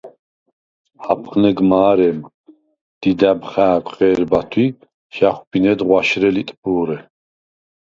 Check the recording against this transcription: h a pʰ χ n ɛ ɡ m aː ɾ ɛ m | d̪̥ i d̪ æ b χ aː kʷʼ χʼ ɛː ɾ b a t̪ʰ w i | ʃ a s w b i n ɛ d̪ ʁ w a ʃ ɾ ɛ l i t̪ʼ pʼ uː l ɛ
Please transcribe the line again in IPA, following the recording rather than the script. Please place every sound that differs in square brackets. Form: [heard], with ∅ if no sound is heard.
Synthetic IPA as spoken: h a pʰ χ n ɛ ɡ m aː ɾ ɛ m | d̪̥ i d̪ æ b χ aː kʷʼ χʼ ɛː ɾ b a t̪ʰ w i | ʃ a [χ] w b i n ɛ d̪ ʁ w a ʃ ɾ ɛ l i t̪ʼ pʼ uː [ɾ] ɛ